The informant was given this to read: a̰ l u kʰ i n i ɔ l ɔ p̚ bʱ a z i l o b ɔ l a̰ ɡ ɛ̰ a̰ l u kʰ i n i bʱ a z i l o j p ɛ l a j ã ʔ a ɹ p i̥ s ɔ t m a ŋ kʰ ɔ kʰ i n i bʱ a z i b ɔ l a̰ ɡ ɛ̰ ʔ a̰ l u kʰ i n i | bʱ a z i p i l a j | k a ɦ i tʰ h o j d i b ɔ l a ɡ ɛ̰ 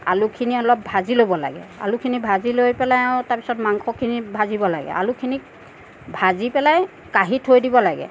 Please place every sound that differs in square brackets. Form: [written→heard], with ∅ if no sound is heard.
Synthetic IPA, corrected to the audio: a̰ l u kʰ i n i ɔ l ɔ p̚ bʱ a z i l o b ɔ l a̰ ɡ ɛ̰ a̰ l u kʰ i n i bʱ a z i l o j p ɛ l a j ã [ʔ→t] a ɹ p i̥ s ɔ t m a ŋ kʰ ɔ kʰ i n i bʱ a z i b ɔ l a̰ ɡ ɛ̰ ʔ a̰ l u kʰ i n i | bʱ a z i p [i→ɛ] l a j | k a ɦ i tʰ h o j d i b ɔ l a ɡ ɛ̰

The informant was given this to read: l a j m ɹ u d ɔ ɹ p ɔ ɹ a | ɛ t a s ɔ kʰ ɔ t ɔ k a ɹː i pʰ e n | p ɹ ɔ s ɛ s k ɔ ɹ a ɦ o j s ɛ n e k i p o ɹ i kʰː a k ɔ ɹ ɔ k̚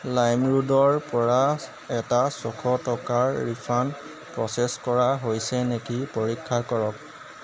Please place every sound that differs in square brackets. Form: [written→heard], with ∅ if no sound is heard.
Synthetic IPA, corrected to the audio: l a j m ɹ u d ɔ ɹ p ɔ ɹ a | ɛ t a s ɔ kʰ ɔ t ɔ k a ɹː i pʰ [e→a] n | p ɹ ɔ s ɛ s k ɔ ɹ a ɦ o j s ɛ n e k i p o ɹ i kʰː a k ɔ ɹ ɔ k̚

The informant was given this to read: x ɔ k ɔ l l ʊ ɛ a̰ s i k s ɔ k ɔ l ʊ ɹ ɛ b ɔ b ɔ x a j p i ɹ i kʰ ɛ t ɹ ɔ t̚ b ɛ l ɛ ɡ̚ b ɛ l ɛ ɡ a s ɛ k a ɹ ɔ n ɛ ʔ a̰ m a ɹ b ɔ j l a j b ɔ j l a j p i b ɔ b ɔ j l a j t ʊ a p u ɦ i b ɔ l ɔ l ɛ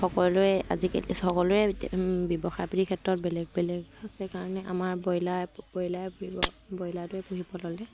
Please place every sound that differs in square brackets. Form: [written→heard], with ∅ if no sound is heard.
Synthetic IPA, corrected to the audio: x ɔ k ɔ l l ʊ ɛ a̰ [s→z] i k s ɔ k ɔ l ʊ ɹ ɛ b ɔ b ɔ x a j p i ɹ i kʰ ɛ t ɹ ɔ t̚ b ɛ l ɛ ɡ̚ b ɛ l ɛ ɡ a s ɛ k a ɹ ɔ n ɛ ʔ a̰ m a ɹ b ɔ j l a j b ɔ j l a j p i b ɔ b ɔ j l a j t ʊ [a→ɛ] p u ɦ i b ɔ l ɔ l ɛ

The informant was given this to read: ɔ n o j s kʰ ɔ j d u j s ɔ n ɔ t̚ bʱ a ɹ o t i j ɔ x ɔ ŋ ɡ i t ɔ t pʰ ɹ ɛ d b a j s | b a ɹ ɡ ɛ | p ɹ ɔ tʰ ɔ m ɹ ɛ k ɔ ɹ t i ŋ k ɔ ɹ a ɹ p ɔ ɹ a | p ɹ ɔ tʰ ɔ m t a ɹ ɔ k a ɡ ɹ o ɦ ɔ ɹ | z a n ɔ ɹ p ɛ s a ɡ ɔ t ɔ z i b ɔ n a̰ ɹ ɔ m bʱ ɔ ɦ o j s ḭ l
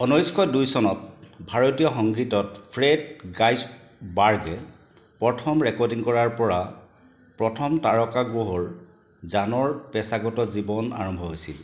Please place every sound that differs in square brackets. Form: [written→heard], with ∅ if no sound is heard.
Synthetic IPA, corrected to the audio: ɔ n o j s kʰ ɔ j d u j s ɔ n ɔ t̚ bʱ a ɹ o t i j ɔ x ɔ ŋ ɡ i t ɔ t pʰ ɹ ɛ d [b→ɡ] a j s | b a ɹ ɡ ɛ | p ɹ ɔ tʰ ɔ m ɹ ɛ k ɔ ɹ [t→d] i ŋ k ɔ ɹ a ɹ p ɔ ɹ a | p ɹ ɔ tʰ ɔ m t a ɹ ɔ k a ɡ ɹ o ɦ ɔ ɹ | z a n ɔ ɹ p ɛ s a ɡ ɔ t ɔ z i b ɔ n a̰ ɹ ɔ m bʱ ɔ ɦ o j s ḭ l

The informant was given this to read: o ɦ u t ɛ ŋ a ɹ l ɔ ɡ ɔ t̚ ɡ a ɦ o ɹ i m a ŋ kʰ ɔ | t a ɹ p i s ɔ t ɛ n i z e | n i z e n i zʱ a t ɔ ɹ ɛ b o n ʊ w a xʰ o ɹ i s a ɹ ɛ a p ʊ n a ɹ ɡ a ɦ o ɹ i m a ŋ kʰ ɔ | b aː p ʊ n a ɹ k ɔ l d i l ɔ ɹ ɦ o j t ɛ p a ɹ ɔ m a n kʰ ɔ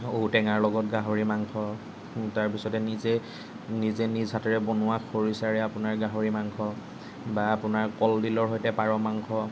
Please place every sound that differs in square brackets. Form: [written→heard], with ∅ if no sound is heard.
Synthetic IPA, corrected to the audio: o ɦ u t ɛ ŋ a ɹ l ɔ ɡ ɔ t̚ ɡ a ɦ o ɹ i m a ŋ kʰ ɔ | t a ɹ p i s ɔ t ɛ n i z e | n i z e n i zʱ a t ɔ ɹ ɛ b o n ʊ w a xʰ o ɹ i s a ɹ ɛ a p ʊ n a ɹ ɡ a ɦ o ɹ i m a ŋ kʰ ɔ | b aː p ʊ n a ɹ k ɔ l d i l ɔ ɹ ɦ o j t ɛ p a ɹ ɔ m a [n→ŋ] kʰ ɔ

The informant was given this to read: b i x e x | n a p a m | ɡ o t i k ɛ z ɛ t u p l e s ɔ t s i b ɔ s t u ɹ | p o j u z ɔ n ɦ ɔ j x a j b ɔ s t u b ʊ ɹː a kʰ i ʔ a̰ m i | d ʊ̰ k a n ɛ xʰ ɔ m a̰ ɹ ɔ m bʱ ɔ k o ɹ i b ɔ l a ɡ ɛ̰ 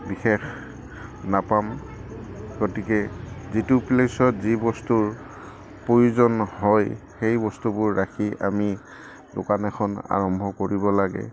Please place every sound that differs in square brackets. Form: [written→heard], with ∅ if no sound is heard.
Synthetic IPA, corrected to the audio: b i x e x | n a p a m | ɡ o t i k ɛ z [ɛ→i] t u p l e s ɔ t [s→z] i b ɔ s t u ɹ | p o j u z ɔ n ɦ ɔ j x [a→e] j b ɔ s t u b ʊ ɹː a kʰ i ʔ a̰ m i | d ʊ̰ k a n ɛ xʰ ɔ [m→n] a̰ ɹ ɔ m bʱ ɔ k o ɹ i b ɔ l a ɡ ɛ̰

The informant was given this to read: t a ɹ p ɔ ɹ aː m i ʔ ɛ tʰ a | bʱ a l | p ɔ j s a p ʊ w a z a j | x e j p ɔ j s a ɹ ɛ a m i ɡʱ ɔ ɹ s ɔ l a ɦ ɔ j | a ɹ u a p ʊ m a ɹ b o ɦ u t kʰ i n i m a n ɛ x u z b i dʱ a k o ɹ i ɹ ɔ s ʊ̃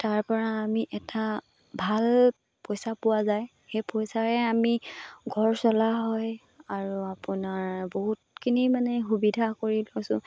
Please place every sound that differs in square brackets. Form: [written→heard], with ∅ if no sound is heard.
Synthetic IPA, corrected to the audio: t a ɹ p ɔ ɹ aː m i ʔ ɛ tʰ a | bʱ a l | p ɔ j s a p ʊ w a z a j | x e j p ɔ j s a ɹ ɛ a m i ɡʱ ɔ ɹ s ɔ l a ɦ ɔ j | a ɹ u a p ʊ [m→n] a ɹ b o ɦ u t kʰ i n i m a n ɛ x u [z→∅] b i dʱ a k o ɹ i [ɹ→l] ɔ s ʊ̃

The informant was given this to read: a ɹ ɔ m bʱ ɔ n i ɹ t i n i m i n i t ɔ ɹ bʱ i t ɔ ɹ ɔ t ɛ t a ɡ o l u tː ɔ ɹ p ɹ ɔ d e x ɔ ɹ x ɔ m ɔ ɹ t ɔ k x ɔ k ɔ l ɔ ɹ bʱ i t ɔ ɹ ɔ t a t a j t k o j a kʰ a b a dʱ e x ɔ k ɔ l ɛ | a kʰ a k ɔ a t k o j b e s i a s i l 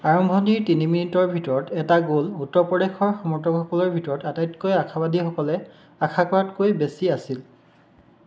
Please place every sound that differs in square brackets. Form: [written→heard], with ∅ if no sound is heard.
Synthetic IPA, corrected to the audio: a ɹ ɔ m bʱ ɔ n i ɹ t i n i m i n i t ɔ ɹ bʱ i t ɔ ɹ ɔ t ɛ t a ɡ o l u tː ɔ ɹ p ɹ ɔ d e x ɔ ɹ x ɔ m ɔ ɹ t ɔ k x ɔ k ɔ l ɔ ɹ bʱ i t ɔ ɹ ɔ t a t a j t k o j a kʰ a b a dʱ [e→i] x ɔ k ɔ l ɛ | a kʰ a k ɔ a t k o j b e s i a s i l

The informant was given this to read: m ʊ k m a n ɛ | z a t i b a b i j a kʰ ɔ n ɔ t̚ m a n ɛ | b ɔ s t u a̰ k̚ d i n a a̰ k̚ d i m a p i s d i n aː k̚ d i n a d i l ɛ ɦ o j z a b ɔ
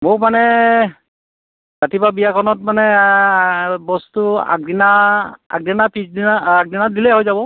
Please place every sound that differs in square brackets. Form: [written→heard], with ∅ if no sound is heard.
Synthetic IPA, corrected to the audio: m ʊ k m a n ɛ | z a t i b a b i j a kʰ ɔ n ɔ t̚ m a n ɛ | b ɔ s t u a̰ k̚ d i n a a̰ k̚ d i [m→n] a p i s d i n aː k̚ d i n a d i l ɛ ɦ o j z a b ɔ

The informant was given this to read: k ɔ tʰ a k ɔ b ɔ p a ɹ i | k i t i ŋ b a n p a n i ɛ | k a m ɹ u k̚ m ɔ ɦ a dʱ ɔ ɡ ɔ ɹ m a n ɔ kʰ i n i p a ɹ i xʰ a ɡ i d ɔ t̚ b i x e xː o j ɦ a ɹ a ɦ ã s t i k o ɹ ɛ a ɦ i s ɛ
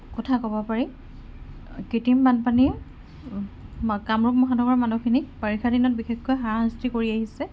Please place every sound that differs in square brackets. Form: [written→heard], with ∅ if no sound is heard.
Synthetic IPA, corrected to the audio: k ɔ tʰ a k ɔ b ɔ p a ɹ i | k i t i [ŋ→m] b a n p a n i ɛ | k a m ɹ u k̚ m ɔ ɦ a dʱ ɔ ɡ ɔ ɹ m a n [ɔ→u] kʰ i n i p a ɹ i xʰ a [ɡ→d] i [d→n] ɔ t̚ b i x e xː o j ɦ a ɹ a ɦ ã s t i k o ɹ [ɛ→i] a ɦ i s ɛ

